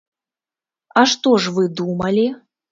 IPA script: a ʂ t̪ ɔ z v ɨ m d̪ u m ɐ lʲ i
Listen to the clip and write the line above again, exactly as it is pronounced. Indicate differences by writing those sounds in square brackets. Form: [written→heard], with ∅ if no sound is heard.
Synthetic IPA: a ʂ t̪ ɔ [z→ʐ] v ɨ [m→∅] d̪ u m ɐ lʲ i